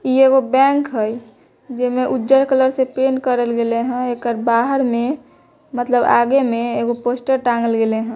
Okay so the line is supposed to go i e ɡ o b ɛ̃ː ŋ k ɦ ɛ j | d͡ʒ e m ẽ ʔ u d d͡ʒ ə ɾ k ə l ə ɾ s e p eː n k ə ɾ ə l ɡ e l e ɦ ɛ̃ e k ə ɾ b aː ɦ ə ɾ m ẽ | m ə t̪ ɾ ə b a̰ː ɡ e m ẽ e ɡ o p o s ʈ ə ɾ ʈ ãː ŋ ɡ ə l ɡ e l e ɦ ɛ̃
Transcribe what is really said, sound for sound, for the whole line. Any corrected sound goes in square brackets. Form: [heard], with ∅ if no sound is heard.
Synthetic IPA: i e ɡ o b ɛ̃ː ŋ k ɦ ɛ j | d͡ʒ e m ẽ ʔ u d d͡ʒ ə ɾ k ə l ə ɾ s e p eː n k ə ɾ ə l ɡ e l e ɦ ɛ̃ e k ə ɾ b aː ɦ ə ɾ m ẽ | m ə t̪ [l] ə b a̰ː ɡ e m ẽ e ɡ o p o s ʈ ə ɾ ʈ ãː ŋ ɡ ə l ɡ e l e ɦ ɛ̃